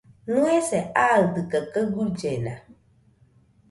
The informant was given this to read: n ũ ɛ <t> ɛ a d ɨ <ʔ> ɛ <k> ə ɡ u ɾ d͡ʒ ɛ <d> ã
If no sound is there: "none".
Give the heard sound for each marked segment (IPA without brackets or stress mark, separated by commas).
s, k, k, n